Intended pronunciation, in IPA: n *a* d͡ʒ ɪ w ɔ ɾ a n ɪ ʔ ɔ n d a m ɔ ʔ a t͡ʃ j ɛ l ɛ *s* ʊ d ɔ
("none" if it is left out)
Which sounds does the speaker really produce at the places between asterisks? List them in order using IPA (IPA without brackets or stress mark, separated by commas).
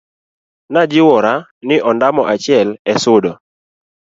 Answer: a, s